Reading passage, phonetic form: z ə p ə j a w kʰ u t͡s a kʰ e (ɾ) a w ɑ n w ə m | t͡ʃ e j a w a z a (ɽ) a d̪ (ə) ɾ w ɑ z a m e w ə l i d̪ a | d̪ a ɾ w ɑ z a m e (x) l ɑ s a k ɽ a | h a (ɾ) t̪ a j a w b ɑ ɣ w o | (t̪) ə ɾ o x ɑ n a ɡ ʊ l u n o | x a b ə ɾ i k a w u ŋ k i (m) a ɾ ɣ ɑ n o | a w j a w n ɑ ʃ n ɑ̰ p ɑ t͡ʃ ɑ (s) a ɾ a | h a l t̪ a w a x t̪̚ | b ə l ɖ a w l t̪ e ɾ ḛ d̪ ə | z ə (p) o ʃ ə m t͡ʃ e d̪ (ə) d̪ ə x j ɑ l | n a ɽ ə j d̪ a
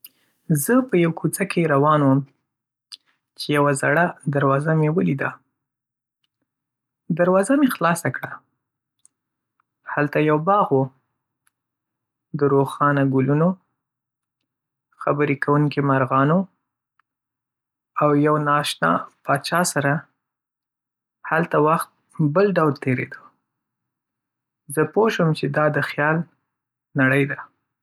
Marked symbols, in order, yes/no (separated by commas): yes, yes, no, yes, no, no, yes, yes, yes, no